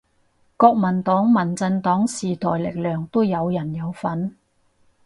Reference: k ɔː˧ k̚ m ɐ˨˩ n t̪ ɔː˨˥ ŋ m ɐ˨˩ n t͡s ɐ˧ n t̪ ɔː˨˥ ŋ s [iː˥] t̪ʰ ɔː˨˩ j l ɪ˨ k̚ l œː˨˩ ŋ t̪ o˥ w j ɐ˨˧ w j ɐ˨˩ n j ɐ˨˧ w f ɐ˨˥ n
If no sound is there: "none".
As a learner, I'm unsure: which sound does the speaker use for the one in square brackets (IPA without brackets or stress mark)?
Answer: iː˨˩